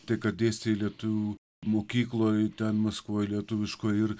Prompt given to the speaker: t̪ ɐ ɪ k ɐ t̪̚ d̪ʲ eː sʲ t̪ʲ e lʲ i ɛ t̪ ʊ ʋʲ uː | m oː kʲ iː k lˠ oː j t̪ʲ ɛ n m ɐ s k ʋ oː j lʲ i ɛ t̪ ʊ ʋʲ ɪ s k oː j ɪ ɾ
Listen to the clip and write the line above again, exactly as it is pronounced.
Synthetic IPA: t̪ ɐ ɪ k ɐ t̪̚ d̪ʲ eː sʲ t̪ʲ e lʲ i ɛ t̪ ʊ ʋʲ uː | m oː kʲ iː k lˠ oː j t̪ʲ ɛ n m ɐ s k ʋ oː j lʲ i ɛ t̪ ʊ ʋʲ ɪ ʃ k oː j ɪ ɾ